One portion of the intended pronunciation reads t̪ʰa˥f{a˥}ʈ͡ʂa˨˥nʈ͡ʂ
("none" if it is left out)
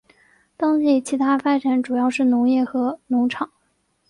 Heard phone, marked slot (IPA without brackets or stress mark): a˥